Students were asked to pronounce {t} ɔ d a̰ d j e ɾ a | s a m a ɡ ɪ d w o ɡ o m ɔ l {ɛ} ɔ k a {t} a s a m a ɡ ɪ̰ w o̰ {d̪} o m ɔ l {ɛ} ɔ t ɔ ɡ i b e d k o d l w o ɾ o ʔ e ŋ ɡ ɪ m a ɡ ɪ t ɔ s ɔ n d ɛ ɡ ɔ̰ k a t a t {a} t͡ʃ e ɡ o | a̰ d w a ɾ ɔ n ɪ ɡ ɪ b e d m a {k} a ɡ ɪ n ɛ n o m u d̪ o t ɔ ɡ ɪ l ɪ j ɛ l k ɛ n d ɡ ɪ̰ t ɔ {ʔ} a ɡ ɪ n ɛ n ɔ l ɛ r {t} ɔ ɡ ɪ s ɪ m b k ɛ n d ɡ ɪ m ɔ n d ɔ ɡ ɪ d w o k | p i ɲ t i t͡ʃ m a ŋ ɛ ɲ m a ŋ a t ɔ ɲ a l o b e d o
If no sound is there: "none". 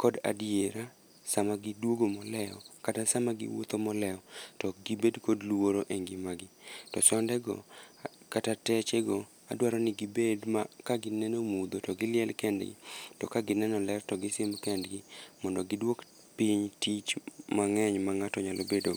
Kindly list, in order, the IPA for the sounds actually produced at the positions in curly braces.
k, ɛ, t, t̪, ɛ, ɛ, k, k, t

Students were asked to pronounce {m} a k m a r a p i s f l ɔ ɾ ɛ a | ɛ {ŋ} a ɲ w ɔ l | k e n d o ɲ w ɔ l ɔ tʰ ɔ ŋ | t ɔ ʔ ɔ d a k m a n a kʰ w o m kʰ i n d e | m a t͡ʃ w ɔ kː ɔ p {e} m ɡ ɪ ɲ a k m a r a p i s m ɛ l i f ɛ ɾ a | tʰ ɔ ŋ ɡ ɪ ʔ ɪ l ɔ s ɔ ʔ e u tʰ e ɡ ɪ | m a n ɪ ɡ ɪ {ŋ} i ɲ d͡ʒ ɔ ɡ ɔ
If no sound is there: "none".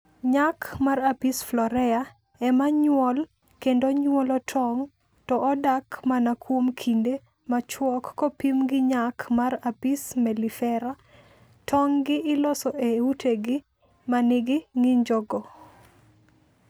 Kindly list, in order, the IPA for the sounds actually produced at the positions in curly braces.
ɲ, m, i, ŋ

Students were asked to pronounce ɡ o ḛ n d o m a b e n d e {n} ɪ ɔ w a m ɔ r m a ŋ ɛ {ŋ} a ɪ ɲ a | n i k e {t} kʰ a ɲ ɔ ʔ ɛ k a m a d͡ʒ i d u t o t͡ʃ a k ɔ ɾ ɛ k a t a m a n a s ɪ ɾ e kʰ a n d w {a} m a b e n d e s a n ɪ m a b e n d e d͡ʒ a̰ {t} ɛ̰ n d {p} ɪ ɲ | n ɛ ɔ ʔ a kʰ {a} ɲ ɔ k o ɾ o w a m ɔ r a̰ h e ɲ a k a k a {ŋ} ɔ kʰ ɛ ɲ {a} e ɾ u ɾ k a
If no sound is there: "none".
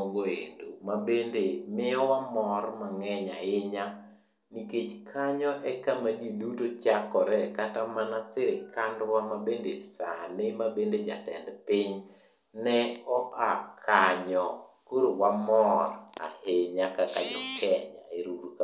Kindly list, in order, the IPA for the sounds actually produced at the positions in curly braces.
m, ɲ, t͡ʃ, a, t, p, a, ɲ, a

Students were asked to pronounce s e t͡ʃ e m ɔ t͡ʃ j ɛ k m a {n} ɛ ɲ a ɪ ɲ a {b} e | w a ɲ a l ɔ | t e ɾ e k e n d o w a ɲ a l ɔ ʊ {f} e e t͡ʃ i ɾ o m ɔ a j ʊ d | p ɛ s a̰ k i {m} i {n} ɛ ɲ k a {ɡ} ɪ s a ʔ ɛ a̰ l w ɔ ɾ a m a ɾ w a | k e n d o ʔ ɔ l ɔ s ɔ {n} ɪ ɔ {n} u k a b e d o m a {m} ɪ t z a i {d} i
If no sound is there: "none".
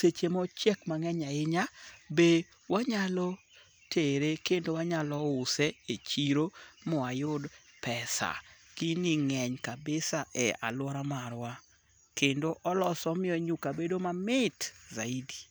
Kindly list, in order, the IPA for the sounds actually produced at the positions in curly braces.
ŋ, b, s, n, ŋ, b, m, ɲ, m, d

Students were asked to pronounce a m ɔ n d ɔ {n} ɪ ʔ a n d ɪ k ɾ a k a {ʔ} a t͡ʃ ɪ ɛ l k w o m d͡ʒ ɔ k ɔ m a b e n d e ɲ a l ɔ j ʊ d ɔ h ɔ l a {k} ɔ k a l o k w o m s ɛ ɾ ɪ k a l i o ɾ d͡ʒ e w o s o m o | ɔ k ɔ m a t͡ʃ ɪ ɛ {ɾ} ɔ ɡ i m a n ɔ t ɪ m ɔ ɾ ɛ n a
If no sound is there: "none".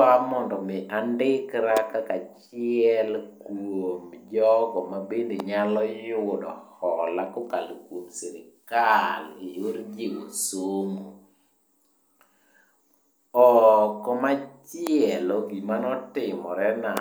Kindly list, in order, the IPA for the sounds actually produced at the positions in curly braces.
m, k, k, l

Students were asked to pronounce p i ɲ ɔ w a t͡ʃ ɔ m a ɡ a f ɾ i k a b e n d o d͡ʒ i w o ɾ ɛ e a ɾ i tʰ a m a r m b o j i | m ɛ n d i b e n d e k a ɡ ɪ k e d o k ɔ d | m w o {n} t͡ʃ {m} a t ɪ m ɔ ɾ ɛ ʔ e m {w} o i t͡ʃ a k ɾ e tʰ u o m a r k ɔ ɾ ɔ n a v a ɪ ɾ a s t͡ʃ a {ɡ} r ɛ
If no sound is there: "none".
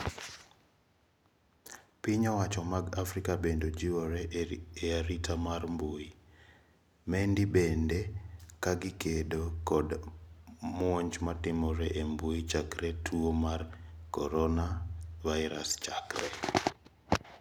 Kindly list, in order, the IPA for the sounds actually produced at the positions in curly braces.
ɲ, m, b, k

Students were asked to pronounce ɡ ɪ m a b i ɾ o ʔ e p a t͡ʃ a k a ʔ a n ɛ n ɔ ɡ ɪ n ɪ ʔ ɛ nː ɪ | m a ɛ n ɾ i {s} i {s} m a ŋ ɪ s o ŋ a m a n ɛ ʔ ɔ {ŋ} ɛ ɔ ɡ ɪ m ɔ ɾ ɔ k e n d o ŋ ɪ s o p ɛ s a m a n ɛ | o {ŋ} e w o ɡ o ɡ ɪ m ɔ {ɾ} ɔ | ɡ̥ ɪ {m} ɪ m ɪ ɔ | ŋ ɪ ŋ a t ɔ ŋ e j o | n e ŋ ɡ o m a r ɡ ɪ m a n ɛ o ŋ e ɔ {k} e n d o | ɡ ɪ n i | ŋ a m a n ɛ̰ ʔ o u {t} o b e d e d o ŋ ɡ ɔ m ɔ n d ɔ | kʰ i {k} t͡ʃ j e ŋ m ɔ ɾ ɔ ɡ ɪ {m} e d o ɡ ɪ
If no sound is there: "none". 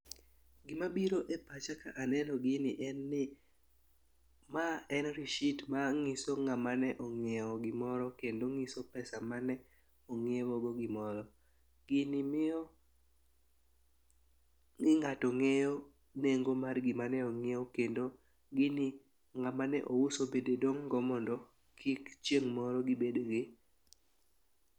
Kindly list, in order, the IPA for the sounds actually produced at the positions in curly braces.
ʃ, t, ŋ, ŋ, ɾ, n, k, s, k, b

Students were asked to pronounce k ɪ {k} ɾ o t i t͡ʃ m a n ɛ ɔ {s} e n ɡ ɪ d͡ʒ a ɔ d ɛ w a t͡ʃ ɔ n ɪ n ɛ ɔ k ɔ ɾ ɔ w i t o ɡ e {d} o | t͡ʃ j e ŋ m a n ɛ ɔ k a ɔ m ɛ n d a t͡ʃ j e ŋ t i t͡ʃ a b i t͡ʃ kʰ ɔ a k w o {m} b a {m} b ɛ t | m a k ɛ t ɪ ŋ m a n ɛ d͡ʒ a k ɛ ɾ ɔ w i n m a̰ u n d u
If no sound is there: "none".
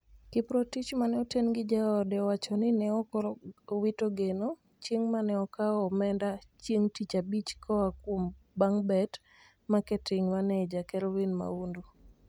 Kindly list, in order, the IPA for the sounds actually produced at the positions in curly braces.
p, t, n, m, ŋ

